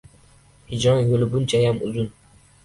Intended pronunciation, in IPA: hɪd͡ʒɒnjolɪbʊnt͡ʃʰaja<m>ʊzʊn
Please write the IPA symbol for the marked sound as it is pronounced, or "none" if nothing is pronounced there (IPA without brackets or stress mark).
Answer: m